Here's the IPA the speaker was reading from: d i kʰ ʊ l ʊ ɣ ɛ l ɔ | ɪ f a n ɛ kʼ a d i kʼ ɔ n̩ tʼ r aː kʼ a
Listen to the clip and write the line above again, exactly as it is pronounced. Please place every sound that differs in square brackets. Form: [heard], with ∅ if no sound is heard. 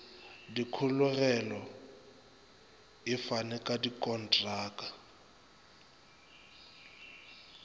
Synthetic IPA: d i kʰ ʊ l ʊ ɣ ɛ l ɔ | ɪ f a n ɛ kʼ a d i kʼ ɔ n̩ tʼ r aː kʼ a

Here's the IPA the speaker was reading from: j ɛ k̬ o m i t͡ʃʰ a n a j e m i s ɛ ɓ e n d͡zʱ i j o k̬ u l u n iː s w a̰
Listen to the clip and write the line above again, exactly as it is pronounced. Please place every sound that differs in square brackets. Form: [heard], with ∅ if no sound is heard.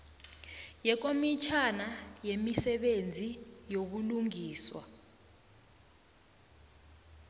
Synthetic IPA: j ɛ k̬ o m i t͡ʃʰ a n a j e m i s ɛ ɓ e n d͡zʱ i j o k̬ u l u [ŋ] iː s w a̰

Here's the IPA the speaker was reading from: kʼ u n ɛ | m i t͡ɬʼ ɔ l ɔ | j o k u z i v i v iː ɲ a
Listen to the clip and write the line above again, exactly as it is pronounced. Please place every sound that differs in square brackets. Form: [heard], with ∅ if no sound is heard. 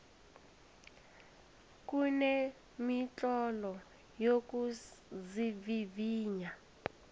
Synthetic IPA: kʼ u n ɛ | m i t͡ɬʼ ɔ l ɔ | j o k u z i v i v iː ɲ a

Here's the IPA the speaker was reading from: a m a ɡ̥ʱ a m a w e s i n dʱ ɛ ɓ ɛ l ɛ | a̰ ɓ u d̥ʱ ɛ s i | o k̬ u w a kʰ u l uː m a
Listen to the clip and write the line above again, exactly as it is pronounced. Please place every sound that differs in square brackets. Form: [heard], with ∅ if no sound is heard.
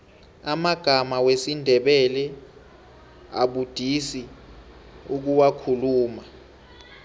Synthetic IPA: a m a ɡ̥ʱ a m a w e s i n dʱ ɛ ɓ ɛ l ɛ | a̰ ɓ u d̥ʱ [i] s i | [u] k̬ u w a kʰ u l uː m a

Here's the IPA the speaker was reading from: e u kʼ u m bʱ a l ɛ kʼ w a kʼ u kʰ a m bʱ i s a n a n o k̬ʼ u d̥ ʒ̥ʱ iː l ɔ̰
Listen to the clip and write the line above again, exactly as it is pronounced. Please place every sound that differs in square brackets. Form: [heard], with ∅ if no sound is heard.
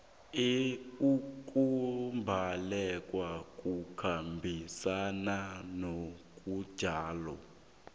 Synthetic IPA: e u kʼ u m bʱ a l ɛ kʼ w a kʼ u kʰ a m bʱ i s a n a n o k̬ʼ u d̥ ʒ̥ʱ [aː] l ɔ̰

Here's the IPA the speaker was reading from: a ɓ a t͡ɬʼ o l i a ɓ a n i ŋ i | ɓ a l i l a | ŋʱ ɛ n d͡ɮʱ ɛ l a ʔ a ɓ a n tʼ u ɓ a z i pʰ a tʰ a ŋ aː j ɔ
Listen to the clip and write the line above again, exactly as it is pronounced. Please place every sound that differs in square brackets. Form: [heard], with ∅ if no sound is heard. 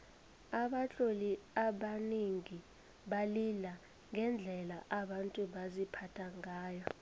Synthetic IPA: a ɓ a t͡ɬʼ o l i a ɓ a n i ŋ i | ɓ a l i l a | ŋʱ ɛ n d͡ɮʱ ɛ l a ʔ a ɓ a n tʼ u ɓ a z i pʰ a tʰ a ŋ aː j ɔ

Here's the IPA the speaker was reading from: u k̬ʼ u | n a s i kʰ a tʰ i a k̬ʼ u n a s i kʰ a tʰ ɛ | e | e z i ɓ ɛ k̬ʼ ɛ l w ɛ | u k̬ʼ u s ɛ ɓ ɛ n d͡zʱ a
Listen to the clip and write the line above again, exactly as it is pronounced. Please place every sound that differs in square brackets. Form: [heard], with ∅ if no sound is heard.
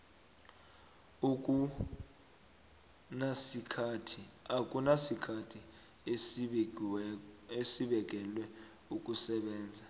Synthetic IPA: u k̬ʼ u | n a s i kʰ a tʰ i a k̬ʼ u n a s i kʰ a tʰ [i] | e | e [s] i ɓ ɛ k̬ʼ ɛ l w ɛ | u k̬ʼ u s ɛ ɓ [ɛː] n d͡zʱ a

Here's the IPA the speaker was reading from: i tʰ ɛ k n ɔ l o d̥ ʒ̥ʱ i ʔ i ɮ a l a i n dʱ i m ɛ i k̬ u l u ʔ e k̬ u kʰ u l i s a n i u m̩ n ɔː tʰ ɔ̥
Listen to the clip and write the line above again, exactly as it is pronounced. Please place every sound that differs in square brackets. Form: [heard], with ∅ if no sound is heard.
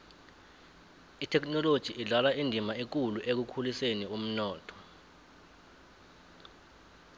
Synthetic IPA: i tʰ ɛ k n ɔ l o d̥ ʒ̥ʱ i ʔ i ɮ a l a i n dʱ i m [a] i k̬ u l u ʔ e k̬ u kʰ u l i s [e] n i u m̩ n ɔː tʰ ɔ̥

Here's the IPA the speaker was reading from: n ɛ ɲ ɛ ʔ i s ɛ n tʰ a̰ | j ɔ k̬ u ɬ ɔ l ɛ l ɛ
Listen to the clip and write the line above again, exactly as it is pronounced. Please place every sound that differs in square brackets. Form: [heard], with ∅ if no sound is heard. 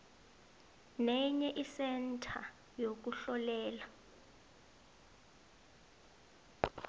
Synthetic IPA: n ɛ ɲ ɛ ʔ i s ɛ n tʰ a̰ | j [o] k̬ u ɬ ɔ l [ɛː] l [a]

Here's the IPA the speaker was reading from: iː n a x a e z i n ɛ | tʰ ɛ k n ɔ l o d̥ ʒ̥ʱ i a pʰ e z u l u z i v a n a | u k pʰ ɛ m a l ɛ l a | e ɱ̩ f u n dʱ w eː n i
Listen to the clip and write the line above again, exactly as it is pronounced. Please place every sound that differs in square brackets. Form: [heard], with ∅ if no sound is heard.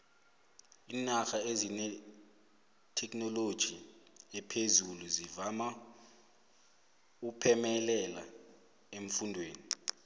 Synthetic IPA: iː n a x a e z i n ɛ | tʰ ɛ k n ɔ l o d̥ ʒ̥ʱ i [ɛ] pʰ e z u l u z i v a [m] a | u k pʰ ɛ m [ɛ] l ɛ l a | e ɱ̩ f u n dʱ w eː n i

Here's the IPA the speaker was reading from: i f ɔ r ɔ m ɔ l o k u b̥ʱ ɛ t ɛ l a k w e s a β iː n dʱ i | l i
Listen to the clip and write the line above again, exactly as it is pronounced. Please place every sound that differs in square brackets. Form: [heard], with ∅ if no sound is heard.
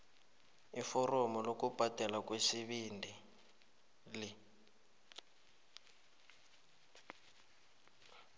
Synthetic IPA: i f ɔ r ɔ m ɔ l o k u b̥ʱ [a] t ɛ l a k w e s [i] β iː n dʱ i | l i

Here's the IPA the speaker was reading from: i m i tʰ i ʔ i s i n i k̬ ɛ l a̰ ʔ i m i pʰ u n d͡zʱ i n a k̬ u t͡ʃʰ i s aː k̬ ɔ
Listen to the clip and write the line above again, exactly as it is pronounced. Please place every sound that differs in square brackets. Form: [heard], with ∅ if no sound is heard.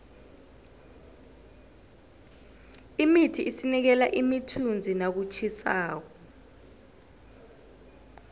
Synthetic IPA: i m i tʰ i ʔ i s i n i k̬ ɛ l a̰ ʔ i m i [tʰ] u n d͡zʱ i n a k̬ u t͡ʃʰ i s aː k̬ ɔ

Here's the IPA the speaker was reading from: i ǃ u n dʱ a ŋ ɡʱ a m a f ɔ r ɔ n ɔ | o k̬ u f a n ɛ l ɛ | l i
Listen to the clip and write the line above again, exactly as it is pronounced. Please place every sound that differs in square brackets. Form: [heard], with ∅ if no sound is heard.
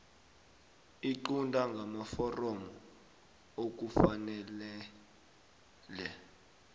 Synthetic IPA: i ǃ u n dʱ a ŋ ɡʱ a m a f ɔ r ɔ [m] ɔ | o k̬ u f a n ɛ l ɛ | l [ɛ]

